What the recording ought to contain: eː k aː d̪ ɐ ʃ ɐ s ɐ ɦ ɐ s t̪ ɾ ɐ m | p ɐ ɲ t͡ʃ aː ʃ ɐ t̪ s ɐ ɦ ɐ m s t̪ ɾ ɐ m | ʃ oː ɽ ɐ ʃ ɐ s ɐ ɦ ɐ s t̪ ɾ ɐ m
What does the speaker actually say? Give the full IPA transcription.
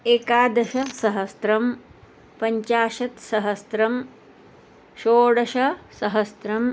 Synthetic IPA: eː k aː d̪ ɐ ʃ ɐ s ɐ ɦ ɐ s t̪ ɾ ɐ m | p ɐ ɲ t͡ʃ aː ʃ ɐ t̪ s ɐ ɦ ɐ s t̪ ɾ ɐ m | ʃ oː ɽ ɐ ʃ ɐ s ɐ ɦ ɐ s t̪ ɾ ɐ m